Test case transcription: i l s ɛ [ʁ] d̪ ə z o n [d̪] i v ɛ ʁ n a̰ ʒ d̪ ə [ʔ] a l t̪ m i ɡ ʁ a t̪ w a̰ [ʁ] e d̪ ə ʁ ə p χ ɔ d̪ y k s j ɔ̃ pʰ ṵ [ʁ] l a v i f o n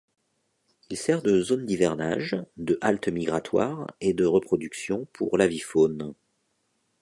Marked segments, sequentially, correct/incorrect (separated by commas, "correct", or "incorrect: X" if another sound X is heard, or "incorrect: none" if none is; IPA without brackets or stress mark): correct, correct, correct, correct, correct